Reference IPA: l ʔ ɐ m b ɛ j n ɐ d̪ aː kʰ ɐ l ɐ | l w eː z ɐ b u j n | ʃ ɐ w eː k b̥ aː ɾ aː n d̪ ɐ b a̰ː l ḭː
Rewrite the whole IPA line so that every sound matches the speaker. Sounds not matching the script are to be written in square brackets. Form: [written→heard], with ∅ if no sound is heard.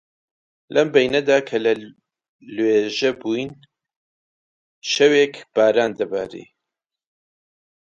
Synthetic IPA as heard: l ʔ ɐ m b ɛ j n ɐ d̪ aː kʰ ɐ l ɐ | l w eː [z→ʒ] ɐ b u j n | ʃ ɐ w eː k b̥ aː ɾ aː n d̪ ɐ b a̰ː [l→ɾ] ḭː